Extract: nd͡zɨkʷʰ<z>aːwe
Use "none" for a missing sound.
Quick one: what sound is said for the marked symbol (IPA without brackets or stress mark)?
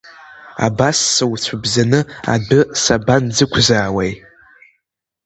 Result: z